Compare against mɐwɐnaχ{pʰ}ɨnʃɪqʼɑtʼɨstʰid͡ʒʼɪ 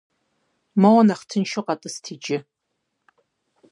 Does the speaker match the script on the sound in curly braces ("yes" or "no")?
no